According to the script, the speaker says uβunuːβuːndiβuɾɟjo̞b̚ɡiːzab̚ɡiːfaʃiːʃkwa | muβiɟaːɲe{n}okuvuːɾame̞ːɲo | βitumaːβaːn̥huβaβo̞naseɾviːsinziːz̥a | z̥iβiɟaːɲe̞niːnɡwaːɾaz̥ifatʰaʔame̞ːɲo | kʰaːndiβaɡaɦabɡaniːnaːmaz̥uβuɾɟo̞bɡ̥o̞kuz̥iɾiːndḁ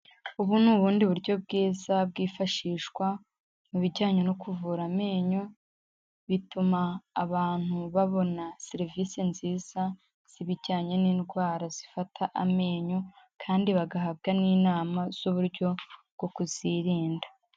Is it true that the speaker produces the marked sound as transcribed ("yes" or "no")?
yes